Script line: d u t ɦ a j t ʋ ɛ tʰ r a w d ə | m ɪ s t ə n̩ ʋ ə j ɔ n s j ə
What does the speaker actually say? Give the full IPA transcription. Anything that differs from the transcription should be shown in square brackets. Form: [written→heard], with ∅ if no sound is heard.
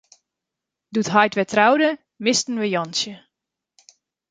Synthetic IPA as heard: d u t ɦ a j t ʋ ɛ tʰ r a w d ə | m ɪ s t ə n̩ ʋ ə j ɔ n s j ə